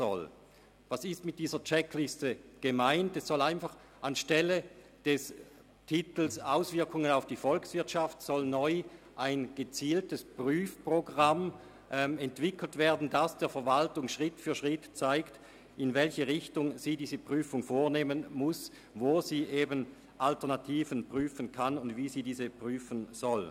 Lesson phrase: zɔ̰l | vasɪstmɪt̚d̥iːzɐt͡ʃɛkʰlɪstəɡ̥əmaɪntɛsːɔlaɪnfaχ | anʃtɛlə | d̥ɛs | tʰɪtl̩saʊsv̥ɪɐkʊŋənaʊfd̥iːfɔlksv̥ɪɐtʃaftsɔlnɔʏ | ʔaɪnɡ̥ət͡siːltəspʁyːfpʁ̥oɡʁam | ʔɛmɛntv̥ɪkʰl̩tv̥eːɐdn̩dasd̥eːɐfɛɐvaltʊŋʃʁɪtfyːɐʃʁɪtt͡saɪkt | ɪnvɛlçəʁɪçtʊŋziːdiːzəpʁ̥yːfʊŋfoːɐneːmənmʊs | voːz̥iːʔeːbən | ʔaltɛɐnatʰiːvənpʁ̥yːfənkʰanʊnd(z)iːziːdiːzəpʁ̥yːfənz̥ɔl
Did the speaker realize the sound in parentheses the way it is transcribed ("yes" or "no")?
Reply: no